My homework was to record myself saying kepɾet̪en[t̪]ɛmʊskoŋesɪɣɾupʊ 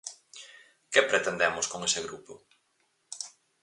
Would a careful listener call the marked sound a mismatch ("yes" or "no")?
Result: yes